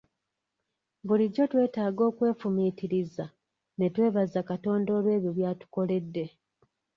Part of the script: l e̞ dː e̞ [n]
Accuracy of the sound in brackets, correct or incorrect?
incorrect: none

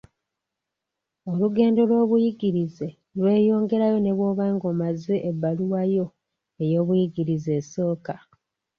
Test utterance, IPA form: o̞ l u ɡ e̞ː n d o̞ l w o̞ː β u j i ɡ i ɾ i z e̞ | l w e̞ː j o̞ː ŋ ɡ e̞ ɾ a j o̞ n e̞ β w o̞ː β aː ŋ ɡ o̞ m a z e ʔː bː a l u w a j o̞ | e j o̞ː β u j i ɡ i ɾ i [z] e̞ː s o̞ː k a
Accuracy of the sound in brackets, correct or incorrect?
correct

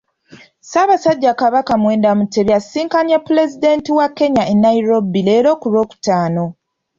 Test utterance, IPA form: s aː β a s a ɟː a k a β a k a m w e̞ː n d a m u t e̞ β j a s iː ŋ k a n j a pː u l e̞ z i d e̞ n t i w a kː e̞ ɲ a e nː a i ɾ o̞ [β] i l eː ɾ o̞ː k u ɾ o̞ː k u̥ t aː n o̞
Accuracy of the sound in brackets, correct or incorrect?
incorrect: b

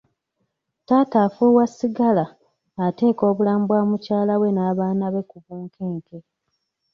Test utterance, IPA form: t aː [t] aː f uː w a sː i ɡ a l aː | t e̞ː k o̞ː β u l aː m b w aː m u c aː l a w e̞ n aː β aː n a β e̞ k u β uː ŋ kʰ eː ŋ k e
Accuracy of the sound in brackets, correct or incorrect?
correct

